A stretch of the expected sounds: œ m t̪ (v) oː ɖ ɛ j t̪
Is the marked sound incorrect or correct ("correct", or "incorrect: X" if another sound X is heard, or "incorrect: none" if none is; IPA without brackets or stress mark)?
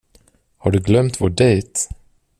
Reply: correct